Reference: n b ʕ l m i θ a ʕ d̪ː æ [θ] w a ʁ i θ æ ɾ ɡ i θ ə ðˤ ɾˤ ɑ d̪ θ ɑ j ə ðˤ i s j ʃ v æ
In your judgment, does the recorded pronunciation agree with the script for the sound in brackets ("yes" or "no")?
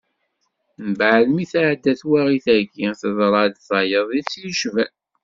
yes